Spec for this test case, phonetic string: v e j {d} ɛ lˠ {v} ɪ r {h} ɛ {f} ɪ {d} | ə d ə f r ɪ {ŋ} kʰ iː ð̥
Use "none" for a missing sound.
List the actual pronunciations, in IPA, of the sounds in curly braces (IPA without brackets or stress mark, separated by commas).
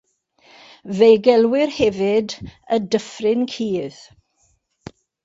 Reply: ɡ, w, h, v, d, n